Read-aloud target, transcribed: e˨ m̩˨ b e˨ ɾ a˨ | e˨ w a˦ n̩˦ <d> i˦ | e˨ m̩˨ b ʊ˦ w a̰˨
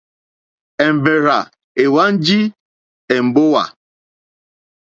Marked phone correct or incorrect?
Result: incorrect: d͡ʒ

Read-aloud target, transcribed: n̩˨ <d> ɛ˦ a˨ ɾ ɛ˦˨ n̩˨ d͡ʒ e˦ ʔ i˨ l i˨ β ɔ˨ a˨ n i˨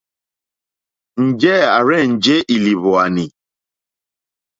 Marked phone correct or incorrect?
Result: incorrect: d͡ʒ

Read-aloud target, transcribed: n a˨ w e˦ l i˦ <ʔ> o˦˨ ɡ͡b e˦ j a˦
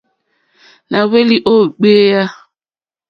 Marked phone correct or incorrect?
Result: correct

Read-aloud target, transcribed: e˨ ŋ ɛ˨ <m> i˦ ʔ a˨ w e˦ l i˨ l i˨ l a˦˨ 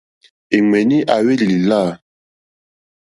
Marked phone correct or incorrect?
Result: incorrect: n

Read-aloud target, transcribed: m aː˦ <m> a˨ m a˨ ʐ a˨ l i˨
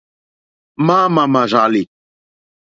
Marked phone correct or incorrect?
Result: correct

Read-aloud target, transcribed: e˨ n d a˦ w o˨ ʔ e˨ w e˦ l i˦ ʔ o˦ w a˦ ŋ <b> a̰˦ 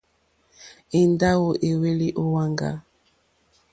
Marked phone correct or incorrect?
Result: incorrect: ɡ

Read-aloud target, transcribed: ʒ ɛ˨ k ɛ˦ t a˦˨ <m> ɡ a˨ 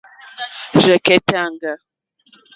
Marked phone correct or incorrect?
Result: incorrect: ŋ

